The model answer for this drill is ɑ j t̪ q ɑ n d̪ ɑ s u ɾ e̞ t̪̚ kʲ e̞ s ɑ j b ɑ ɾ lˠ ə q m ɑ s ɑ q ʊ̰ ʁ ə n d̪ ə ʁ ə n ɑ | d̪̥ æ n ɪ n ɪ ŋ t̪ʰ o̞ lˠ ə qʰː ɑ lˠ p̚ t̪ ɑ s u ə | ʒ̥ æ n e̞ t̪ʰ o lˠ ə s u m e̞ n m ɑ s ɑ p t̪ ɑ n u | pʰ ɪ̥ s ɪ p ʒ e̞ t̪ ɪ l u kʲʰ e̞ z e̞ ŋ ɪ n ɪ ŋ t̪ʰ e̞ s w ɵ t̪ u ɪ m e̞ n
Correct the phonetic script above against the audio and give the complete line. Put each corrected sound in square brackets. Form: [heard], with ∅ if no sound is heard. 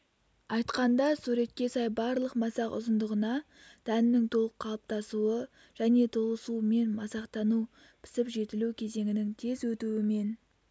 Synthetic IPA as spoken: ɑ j t̪ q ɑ n d̪ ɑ s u ɾ e̞ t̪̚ kʲ e̞ s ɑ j b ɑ ɾ lˠ ə q m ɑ s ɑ q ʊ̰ [z] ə n d̪ ə ʁ ə n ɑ | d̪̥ æ n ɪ n ɪ ŋ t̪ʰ o̞ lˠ ə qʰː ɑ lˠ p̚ t̪ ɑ s u ə | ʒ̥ æ n e̞ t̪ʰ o lˠ ə s u m e̞ n m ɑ s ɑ [q] t̪ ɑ n u | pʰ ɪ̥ s ɪ p ʒ e̞ t̪ ɪ l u kʲʰ e̞ z e̞ ŋ ɪ n ɪ ŋ t̪ʰ e̞ [z] w ɵ t̪ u ɪ m e̞ n

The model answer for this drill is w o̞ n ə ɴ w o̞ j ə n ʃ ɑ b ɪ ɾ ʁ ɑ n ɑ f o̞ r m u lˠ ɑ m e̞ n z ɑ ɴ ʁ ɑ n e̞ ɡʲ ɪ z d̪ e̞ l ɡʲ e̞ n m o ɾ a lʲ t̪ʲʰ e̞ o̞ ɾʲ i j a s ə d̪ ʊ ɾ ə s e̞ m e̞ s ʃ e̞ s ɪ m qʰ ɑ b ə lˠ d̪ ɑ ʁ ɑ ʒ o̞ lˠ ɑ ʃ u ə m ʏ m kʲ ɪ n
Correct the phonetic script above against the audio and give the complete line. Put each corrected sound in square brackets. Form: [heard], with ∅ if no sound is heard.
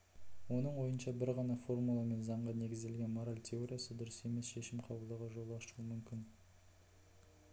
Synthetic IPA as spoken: w o̞ n ə ɴ w o̞ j ə n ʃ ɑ b ɪ ɾ ʁ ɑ n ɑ f o̞ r m u lˠ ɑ m e̞ n z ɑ ɴ ʁ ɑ n e̞ ɡʲ ɪ z d̪ e̞ l ɡʲ e̞ n m o ɾ a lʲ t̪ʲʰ e̞ o̞ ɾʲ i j a s ə d̪ ʊ ɾ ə s e̞ m e̞ s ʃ e̞ [ʃ] ɪ m qʰ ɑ b ə lˠ d̪ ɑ ʁ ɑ ʒ o̞ lˠ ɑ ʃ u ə m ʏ m kʲ ɪ n

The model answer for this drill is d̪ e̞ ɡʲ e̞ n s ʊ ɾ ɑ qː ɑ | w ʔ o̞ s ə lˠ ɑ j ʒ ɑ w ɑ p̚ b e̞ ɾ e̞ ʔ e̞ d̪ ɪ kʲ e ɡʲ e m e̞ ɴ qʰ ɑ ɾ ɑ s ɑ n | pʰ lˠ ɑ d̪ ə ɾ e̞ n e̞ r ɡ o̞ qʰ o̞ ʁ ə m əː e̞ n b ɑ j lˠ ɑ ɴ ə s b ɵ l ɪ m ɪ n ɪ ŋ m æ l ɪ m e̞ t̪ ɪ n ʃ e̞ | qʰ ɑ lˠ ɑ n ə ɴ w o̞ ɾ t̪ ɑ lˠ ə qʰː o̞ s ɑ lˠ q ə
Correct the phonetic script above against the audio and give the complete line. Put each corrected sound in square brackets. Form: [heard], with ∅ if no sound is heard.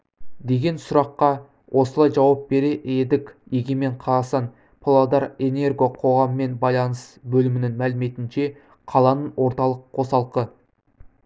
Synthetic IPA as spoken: d̪ e̞ ɡʲ e̞ n s ʊ ɾ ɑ qː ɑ | w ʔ o̞ s ə lˠ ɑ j ʒ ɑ w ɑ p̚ b e̞ ɾ e̞ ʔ e̞ d̪ ɪ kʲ e ɡʲ e m e̞ ɴ qʰ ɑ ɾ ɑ s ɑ n | pʰ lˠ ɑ d̪ [ɑ] ɾ e̞ n e̞ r ɡ o̞ qʰ o̞ ʁ [ɑ] m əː e̞ n b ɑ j lˠ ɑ [n] ə s b ɵ l ɪ m ɪ n ɪ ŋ m æ l ɪ m e̞ t̪ ɪ n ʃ e̞ | qʰ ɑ lˠ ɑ n ə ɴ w o̞ ɾ t̪ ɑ lˠ ə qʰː o̞ s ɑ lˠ q ə

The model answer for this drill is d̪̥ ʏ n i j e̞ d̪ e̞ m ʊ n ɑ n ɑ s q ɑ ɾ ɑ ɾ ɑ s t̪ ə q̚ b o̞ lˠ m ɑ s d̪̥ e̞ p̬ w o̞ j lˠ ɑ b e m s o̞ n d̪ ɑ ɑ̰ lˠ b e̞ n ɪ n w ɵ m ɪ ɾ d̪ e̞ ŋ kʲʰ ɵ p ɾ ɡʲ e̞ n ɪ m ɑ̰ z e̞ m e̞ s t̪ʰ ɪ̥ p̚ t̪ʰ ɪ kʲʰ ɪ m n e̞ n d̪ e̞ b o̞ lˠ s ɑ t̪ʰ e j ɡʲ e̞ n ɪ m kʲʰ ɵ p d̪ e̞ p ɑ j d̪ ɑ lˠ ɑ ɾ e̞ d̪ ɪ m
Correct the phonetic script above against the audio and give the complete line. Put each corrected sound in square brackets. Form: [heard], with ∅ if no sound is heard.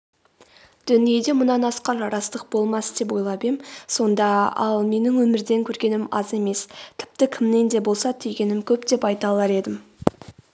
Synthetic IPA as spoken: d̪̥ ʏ n i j e̞ d̪ e̞ m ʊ n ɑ n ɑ s q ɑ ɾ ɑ ɾ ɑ s t̪ ə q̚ b o̞ lˠ m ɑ s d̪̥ e̞ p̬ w o̞ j lˠ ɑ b e m s o̞ n d̪ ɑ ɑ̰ lˠ [m] e̞ n ɪ [ŋ] w ɵ m ɪ ɾ d̪ e̞ ŋ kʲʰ ɵ [∅] ɾ ɡʲ e̞ n ɪ m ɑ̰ z e̞ m e̞ s t̪ʰ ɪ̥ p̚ [t̪] ɪ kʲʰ ɪ m n e̞ n d̪ e̞ b o̞ lˠ s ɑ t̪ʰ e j ɡʲ e̞ n ɪ m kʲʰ ɵ p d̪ e̞ p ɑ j [t̪] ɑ lˠ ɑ ɾ e̞ d̪ ɪ m

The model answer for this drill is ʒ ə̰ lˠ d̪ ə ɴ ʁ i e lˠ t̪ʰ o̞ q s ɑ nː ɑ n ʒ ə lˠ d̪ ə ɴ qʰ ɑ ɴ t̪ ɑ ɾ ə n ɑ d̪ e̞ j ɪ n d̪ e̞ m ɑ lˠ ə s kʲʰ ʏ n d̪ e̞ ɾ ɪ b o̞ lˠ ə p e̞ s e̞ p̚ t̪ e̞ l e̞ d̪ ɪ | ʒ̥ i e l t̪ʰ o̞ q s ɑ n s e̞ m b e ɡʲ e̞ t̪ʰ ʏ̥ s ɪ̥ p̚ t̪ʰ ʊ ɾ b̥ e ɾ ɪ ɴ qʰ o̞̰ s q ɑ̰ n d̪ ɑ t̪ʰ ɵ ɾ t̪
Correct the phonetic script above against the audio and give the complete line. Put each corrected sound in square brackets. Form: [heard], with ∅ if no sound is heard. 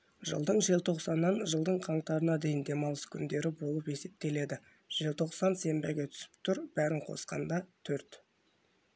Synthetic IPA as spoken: ʒ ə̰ lˠ d̪ ə ɴ [ʒ] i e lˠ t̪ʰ o̞ q s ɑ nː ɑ n ʒ ə lˠ d̪ ə ɴ qʰ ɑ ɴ t̪ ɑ ɾ ə n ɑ d̪ e̞ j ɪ n d̪ e̞ m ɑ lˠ ə s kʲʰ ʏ n d̪ e̞ ɾ ɪ b o̞ lˠ ə p e̞ s e̞ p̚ t̪ e̞ l e̞ d̪ ɪ | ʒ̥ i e l t̪ʰ o̞ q s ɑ n s e̞ m b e ɡʲ e̞ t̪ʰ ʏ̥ s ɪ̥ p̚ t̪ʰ ʊ ɾ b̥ [æ] ɾ ɪ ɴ qʰ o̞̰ s q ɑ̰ n d̪ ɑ t̪ʰ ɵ ɾ t̪

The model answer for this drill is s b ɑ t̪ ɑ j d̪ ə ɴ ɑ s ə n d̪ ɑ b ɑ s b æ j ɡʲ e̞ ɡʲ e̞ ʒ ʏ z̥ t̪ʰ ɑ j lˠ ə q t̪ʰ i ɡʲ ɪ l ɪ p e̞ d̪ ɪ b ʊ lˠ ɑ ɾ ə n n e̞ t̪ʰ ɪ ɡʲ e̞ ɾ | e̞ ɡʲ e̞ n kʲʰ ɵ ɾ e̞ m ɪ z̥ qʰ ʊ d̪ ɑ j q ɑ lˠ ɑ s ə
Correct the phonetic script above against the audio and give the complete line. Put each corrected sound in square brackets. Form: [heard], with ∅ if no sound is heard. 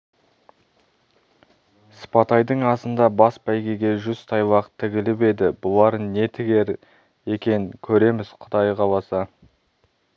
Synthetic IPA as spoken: s [p] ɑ t̪ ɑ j d̪ ə ɴ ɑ s ə n d̪ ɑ b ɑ s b æ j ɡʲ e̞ ɡʲ e̞ ʒ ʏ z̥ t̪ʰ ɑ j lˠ [ɑ] q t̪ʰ [ɪ] ɡʲ ɪ l ɪ p e̞ d̪ ɪ b ʊ lˠ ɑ ɾ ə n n e̞ t̪ʰ ɪ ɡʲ e̞ ɾ | e̞ [kʲ] e̞ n kʲʰ ɵ ɾ e̞ m ɪ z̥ qʰ ʊ d̪ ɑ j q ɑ lˠ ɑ s [ɑ]

